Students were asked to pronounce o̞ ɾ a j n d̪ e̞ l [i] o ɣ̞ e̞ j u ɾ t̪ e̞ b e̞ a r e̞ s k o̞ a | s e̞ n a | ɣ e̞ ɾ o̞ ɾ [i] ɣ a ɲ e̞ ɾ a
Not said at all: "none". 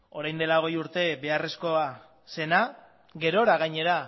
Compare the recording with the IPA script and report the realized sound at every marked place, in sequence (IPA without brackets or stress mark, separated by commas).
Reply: a, a